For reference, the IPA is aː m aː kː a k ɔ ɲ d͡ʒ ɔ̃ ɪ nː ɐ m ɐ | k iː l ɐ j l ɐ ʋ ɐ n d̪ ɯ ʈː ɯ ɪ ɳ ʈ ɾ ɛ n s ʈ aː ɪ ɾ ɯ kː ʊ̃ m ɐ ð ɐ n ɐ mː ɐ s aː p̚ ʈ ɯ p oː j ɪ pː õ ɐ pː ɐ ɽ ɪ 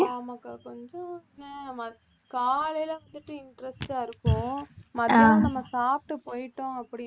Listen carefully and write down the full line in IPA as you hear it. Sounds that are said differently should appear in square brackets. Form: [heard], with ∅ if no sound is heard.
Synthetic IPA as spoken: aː m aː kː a k ɔ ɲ d͡ʒ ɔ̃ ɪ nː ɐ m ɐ | k [aː] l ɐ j l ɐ ʋ ɐ n d̪ ɯ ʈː ɯ ɪ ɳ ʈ ɾ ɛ [∅] s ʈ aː ɪ ɾ ɯ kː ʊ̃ m ɐ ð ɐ n ɐ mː ɐ s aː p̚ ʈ ɯ p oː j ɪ [ʈː] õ ɐ pː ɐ ɽ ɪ